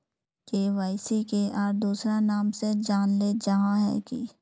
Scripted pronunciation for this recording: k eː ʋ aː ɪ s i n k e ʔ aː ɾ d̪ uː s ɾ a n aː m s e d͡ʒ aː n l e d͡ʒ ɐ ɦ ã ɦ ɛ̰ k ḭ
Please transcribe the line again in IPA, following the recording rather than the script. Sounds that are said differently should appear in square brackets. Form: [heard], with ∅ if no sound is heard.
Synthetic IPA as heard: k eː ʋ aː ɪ s i [∅] k e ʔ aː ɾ d̪ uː s ɾ a n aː m s e d͡ʒ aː n l e d͡ʒ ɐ ɦ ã ɦ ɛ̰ k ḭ